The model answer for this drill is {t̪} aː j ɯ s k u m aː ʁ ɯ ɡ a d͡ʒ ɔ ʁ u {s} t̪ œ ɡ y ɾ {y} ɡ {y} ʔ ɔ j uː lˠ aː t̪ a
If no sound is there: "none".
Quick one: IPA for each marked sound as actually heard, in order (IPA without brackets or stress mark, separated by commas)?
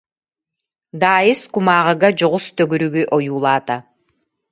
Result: d̪, s, y, y